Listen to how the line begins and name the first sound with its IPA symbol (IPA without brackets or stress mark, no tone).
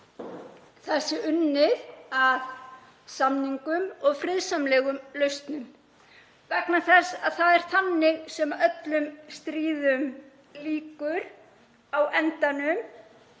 θ